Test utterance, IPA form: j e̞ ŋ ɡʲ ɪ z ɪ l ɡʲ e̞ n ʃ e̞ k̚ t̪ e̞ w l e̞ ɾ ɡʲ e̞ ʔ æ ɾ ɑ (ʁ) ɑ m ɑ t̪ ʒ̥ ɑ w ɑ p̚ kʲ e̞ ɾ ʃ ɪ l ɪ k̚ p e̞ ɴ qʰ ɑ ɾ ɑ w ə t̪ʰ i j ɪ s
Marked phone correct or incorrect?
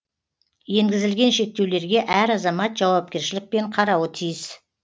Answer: incorrect